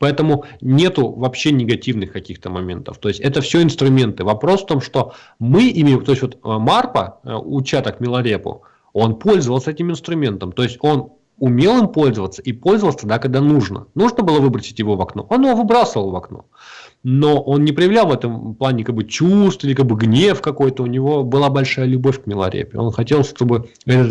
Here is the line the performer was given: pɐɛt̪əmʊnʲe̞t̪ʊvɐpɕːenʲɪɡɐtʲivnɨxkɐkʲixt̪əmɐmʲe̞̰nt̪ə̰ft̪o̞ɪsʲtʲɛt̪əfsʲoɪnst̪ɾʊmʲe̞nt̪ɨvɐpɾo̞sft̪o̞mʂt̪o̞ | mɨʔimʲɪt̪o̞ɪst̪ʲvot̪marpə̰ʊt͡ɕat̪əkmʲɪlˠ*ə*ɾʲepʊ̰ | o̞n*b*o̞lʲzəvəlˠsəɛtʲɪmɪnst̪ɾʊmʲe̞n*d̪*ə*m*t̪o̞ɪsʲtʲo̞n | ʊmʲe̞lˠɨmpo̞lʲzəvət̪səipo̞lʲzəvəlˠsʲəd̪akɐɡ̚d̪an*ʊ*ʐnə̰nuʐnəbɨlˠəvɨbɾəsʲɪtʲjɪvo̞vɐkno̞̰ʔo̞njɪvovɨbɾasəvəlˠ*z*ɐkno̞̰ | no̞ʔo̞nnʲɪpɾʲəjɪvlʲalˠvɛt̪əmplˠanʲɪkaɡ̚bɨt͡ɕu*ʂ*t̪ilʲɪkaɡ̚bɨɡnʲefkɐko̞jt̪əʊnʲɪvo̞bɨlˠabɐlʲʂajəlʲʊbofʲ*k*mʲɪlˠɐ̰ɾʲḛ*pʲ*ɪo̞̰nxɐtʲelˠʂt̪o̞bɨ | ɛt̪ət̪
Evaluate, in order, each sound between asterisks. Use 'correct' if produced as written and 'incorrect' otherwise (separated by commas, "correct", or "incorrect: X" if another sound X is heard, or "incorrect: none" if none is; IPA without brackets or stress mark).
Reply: incorrect: ɐ, incorrect: p, incorrect: t̪, correct, incorrect: u, incorrect: v, incorrect: s, correct, correct